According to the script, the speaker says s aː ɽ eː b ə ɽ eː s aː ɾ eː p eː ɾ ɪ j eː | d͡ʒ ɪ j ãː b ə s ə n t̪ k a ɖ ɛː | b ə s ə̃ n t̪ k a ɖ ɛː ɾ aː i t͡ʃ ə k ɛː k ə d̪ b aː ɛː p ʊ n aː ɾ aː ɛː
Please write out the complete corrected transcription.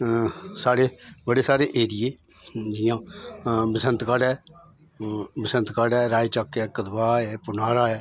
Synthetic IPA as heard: s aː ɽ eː b ə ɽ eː s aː ɾ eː ʔ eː ɾ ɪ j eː | d͡ʒ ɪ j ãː b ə s ə n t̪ k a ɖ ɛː | b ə s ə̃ n t̪ k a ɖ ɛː ɾ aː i t͡ʃ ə k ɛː k ə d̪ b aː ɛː p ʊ n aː ɾ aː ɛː

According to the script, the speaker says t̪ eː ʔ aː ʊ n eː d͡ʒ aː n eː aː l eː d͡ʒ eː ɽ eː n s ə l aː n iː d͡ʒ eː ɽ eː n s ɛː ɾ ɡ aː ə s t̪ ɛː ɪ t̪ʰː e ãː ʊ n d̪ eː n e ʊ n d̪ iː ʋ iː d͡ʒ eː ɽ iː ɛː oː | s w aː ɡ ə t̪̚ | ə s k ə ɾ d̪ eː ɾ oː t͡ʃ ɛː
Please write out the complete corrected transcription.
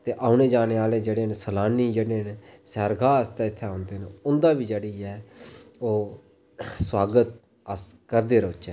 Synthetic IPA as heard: t̪ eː ʔ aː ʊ n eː d͡ʒ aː n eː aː l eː d͡ʒ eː ɽ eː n s ə l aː n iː d͡ʒ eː ɽ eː n s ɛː ɾ ɡ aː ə s t̪ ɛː ɪ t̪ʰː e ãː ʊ n d̪ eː n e ʊ n d̪ aː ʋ iː d͡ʒ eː ɽ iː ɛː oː | s w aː ɡ ə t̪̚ | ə s k ə ɾ d̪ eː ɾ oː t͡ʃ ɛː

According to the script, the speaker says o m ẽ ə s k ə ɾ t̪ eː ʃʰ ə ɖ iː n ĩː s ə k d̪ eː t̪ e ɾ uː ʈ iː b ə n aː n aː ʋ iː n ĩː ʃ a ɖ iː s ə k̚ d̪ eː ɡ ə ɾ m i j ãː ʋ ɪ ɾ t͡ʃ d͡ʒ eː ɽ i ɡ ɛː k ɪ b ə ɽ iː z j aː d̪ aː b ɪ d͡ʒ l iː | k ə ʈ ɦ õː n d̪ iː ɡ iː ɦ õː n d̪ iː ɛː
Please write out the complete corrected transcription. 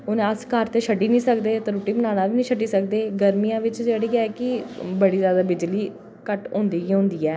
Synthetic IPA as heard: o n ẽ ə s k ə ɾ t̪ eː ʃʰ ə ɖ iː n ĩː s ə k d̪ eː t̪ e ɾ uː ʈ iː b ə n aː n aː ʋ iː n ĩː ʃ ə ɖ iː s ə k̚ d̪ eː ɡ ə ɾ m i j ãː ʋ ɪ t͡ʃ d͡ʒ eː ɽ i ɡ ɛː k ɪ b ə ɽ iː z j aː d̪ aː b ɪ d͡ʒ l iː | k ə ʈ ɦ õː n d̪ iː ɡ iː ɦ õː n d̪ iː ɛː

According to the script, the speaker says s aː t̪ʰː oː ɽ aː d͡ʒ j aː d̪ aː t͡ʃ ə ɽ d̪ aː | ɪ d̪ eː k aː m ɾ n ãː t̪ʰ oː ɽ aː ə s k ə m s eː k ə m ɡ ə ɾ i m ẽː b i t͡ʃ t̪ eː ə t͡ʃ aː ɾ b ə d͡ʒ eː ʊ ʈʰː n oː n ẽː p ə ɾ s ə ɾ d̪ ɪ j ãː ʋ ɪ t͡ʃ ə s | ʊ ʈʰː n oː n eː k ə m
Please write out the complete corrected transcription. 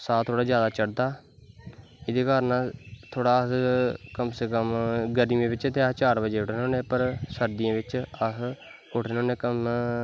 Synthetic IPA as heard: s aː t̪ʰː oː ɽ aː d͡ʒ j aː d̪ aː t͡ʃ ə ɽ d̪ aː | ɪ d̪ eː k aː ɾ n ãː t̪ʰ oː ɽ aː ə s k ə m s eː k ə m ɡ ə ɾ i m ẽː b ɪ t͡ʃ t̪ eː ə t͡ʃ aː ɾ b ə d͡ʒ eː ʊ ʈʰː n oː n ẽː p ə ɾ s ə ɾ d̪ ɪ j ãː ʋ ɪ t͡ʃ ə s | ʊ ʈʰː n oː n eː k ə m

